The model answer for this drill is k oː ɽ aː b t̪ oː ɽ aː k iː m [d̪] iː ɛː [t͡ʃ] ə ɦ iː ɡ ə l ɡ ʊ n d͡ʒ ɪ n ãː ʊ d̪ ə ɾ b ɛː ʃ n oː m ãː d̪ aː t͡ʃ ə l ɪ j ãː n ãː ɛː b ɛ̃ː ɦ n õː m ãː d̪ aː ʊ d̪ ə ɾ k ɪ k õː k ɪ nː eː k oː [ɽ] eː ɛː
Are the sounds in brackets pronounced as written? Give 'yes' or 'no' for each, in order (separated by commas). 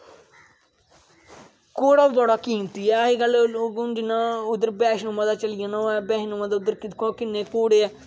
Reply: no, no, yes